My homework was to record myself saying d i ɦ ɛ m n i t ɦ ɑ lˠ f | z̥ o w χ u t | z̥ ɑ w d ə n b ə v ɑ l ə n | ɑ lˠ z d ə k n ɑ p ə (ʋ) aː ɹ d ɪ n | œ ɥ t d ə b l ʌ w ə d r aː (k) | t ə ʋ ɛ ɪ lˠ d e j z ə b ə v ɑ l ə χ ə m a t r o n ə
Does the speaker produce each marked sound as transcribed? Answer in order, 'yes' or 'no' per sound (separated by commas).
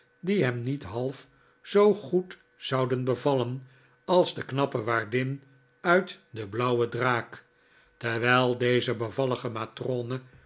yes, yes